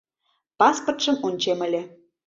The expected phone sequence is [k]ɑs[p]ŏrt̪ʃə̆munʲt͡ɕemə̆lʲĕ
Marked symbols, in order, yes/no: no, yes

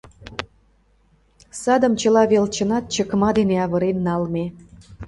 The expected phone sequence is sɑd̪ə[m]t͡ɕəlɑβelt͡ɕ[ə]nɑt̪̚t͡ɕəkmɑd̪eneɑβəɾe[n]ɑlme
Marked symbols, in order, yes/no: yes, yes, no

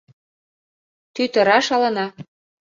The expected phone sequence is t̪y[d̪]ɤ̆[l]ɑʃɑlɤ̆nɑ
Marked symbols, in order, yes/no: no, no

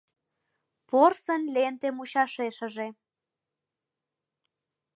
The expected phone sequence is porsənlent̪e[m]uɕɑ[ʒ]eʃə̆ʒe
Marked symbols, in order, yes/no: yes, no

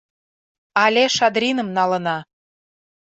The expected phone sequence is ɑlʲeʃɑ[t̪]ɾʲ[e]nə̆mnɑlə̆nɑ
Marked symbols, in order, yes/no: no, no

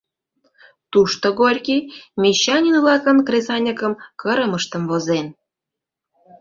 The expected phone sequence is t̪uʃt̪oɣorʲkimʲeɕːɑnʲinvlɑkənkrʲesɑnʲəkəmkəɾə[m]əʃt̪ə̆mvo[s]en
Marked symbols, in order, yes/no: yes, no

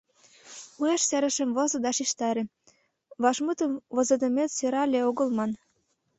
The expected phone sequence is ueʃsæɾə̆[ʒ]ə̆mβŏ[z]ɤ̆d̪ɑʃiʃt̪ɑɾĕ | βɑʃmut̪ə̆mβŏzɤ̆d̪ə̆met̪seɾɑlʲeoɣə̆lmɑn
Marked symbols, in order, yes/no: no, yes

